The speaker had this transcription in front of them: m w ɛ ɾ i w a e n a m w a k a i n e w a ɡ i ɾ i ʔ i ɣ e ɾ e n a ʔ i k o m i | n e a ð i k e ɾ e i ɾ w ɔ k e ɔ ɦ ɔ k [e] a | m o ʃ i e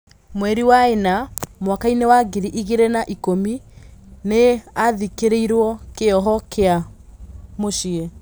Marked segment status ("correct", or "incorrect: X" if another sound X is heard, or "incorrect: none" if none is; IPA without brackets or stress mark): correct